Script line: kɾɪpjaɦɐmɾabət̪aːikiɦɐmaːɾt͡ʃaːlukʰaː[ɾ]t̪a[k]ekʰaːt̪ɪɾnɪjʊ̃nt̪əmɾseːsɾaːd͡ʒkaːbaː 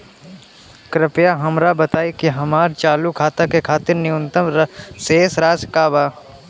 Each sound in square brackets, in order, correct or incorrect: incorrect, correct

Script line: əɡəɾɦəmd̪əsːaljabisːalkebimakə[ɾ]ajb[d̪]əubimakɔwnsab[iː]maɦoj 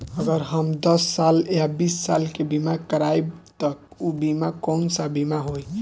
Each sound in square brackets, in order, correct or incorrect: correct, incorrect, incorrect

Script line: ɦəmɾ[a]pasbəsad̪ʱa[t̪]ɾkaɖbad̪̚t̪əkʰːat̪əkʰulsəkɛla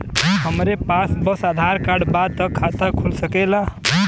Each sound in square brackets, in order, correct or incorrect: incorrect, incorrect

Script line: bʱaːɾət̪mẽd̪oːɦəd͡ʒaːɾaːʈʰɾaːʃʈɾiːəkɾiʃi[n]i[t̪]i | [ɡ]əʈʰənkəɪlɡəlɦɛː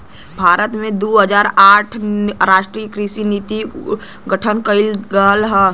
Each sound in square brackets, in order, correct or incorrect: correct, correct, correct

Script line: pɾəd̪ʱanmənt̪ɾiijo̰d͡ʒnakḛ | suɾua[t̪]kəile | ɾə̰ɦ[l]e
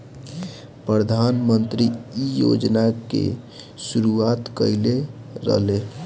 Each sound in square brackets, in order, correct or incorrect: correct, correct

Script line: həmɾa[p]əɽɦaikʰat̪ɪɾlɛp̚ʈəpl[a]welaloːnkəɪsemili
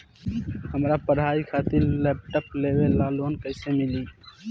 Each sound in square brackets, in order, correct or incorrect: correct, incorrect

